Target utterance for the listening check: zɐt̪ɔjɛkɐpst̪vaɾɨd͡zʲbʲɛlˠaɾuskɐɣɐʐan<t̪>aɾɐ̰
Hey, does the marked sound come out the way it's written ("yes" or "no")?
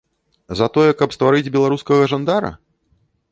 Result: no